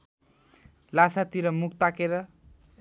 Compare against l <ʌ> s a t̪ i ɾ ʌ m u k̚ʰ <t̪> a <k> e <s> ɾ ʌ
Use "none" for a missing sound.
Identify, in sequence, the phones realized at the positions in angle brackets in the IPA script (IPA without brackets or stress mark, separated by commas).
a, t̪, k, none